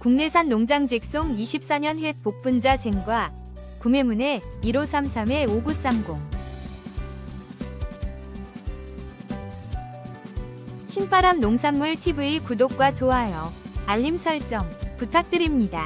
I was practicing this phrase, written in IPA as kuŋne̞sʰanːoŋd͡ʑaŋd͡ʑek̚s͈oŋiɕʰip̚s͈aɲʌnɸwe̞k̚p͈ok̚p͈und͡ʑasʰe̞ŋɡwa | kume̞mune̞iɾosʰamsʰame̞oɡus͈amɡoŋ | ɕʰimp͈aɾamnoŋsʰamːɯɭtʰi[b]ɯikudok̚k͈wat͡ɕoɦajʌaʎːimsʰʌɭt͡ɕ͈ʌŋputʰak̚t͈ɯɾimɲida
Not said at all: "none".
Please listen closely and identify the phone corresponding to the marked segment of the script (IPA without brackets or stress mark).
b